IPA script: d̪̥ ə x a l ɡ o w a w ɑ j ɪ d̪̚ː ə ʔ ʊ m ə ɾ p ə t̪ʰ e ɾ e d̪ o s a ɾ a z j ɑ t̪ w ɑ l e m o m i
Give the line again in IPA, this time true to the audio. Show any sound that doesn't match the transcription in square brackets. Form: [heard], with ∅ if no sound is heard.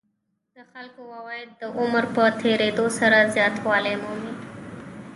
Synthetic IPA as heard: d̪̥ ə x a l [k] o w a w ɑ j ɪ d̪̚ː ə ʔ ʊ m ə ɾ p ə t̪ʰ e ɾ e d̪ o s a ɾ a z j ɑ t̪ w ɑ l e m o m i